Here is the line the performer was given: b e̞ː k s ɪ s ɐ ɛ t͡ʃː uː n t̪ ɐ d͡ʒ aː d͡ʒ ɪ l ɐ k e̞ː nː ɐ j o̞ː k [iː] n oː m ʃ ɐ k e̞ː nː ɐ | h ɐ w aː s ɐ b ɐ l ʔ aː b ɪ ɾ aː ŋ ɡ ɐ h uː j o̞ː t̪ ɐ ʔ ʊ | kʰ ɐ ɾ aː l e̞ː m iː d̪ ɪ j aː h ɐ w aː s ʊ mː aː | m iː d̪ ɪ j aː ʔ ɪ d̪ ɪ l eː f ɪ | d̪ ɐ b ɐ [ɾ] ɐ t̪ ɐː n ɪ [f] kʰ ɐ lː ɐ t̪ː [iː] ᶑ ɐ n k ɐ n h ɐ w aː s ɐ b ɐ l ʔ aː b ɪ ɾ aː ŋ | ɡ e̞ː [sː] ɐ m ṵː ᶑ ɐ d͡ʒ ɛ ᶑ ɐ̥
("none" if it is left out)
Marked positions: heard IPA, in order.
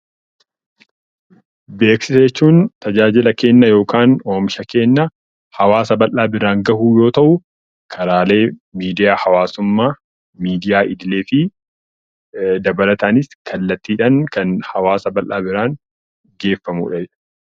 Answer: aː, l, s, iː, fː

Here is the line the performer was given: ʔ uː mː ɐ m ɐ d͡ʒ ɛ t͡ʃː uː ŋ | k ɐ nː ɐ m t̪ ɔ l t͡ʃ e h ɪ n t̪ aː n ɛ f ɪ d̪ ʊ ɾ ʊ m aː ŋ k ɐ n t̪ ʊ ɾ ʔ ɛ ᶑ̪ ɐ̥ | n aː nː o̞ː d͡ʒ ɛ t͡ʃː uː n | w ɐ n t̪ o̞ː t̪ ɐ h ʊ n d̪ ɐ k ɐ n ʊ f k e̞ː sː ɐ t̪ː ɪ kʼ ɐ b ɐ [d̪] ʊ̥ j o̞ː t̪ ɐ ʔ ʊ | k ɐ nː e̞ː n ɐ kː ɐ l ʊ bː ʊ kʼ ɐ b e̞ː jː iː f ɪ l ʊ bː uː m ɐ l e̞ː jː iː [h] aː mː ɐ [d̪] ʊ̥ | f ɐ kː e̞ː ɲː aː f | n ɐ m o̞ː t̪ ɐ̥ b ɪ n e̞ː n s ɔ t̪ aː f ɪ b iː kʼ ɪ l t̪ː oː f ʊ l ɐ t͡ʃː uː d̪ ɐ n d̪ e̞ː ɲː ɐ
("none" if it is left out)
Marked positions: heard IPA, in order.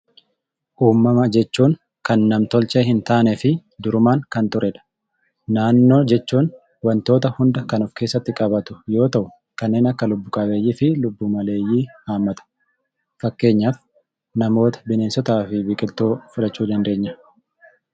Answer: t̪, h, t̪

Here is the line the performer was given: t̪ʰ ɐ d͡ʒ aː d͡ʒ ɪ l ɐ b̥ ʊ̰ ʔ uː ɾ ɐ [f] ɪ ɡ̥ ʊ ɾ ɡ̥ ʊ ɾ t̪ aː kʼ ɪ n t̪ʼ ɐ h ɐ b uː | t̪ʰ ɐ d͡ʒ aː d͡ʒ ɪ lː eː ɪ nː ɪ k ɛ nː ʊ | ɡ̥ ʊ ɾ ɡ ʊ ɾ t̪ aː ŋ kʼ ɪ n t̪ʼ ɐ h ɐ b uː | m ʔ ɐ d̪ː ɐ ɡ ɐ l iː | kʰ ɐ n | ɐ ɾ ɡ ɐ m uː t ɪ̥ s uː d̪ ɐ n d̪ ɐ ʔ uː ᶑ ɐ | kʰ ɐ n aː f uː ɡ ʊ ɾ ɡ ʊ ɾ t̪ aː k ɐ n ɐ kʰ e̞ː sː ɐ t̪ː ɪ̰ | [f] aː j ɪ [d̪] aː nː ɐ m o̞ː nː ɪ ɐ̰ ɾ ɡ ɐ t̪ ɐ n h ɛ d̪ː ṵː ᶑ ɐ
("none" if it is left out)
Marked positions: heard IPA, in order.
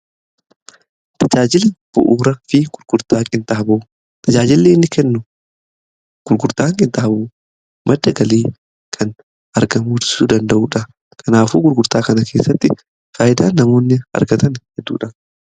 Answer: f, f, d̪

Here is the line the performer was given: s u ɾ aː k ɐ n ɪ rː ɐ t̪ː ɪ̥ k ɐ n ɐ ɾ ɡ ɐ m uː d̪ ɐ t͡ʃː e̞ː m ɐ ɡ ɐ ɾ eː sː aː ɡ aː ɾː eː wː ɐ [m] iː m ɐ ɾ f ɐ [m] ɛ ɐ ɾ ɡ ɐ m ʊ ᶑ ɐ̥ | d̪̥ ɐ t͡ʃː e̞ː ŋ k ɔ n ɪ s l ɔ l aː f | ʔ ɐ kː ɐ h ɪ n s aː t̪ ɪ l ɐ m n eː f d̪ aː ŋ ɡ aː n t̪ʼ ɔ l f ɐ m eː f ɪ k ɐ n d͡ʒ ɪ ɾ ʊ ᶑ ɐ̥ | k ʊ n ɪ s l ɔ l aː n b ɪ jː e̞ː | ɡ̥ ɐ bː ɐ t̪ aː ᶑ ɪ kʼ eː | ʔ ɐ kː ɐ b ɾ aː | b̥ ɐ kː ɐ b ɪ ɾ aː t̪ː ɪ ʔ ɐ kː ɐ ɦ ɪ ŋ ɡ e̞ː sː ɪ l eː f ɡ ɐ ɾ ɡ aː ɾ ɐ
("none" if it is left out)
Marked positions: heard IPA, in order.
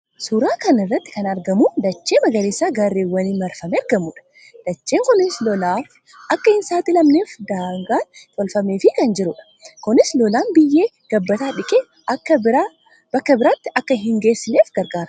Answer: n, m

